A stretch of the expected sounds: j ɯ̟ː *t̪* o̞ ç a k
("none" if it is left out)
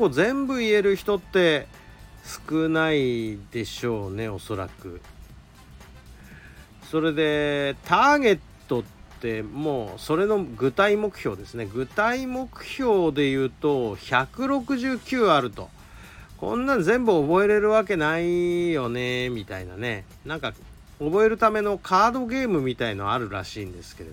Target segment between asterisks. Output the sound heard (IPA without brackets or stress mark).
t̪